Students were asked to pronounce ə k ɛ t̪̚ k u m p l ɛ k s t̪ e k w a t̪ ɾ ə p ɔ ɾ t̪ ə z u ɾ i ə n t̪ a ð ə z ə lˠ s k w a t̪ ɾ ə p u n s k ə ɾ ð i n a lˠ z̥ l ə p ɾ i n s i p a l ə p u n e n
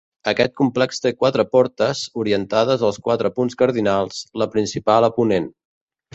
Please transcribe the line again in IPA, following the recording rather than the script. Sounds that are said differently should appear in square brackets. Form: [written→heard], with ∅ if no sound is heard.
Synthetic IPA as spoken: ə k ɛ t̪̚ k u m p l ɛ k s t̪ e k w a t̪ ɾ ə p ɔ ɾ t̪ ə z u ɾ i ə n t̪ a ð ə z ə lˠ s k w a t̪ ɾ ə p u n s k ə ɾ ð i n a lˠ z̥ l ə p ɾ i n s i p a l ə p u n e n